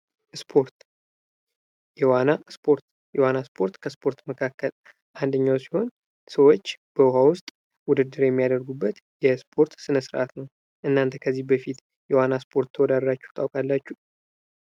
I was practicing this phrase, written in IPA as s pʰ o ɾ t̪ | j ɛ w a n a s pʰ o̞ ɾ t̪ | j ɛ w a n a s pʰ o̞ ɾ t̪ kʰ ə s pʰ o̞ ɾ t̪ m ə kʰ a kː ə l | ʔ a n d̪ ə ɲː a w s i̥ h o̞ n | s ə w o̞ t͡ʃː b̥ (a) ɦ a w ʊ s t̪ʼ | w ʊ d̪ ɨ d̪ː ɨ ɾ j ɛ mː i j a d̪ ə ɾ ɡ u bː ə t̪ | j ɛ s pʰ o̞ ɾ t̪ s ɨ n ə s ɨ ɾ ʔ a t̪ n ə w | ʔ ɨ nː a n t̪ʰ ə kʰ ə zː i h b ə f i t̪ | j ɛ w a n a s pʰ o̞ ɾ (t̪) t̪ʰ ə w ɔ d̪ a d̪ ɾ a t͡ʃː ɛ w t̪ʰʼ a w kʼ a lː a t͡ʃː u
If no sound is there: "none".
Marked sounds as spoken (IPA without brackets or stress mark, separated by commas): ə, t̪